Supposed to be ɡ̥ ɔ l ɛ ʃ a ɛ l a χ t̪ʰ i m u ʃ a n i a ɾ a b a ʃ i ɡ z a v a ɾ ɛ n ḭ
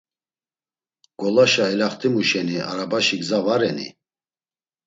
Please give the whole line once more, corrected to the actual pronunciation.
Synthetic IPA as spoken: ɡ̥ ɔ l a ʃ a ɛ l a χ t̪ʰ i m u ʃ ɛ n i a ɾ a b a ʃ i ɡ z a v a ɾ ɛ n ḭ